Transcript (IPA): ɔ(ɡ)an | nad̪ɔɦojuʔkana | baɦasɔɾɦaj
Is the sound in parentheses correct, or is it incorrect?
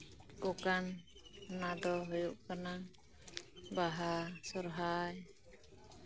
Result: incorrect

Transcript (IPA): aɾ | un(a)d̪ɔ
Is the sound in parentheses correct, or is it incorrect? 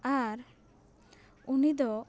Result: incorrect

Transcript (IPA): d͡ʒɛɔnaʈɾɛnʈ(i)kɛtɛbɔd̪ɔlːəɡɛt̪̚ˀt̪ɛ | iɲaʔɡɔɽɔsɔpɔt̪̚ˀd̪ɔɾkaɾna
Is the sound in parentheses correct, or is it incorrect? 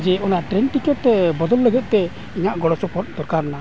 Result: correct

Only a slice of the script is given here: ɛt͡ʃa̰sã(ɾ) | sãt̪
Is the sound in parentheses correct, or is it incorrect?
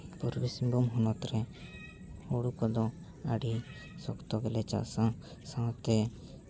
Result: incorrect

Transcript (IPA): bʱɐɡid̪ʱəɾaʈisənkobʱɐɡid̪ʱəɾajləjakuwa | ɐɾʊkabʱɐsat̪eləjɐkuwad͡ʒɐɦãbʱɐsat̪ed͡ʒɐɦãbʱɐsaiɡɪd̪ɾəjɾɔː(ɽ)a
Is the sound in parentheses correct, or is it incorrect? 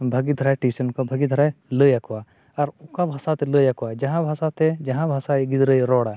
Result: correct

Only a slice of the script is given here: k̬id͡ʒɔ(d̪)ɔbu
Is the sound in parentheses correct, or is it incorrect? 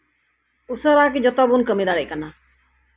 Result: incorrect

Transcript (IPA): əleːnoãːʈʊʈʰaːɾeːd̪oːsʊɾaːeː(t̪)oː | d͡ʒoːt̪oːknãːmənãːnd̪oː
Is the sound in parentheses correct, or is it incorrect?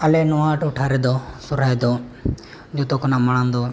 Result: incorrect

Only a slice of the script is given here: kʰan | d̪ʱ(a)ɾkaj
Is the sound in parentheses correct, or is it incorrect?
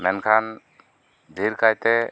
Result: incorrect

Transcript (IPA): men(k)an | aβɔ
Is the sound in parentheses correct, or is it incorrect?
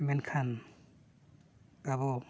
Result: incorrect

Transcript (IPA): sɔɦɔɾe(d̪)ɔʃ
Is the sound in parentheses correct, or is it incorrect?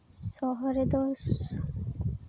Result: correct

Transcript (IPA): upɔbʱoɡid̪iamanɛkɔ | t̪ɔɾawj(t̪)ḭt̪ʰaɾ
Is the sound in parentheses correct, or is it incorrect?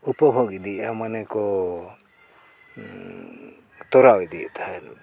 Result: incorrect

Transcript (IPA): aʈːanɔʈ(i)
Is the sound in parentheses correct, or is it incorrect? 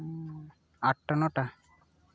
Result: incorrect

